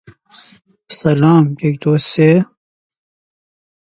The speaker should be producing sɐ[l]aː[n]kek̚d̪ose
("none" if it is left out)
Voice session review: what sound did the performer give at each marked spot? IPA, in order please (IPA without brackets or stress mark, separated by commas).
l, m